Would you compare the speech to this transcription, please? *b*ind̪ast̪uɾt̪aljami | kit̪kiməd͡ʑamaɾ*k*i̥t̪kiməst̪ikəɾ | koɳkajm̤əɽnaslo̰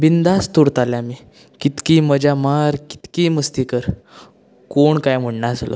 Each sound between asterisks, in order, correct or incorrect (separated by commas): correct, correct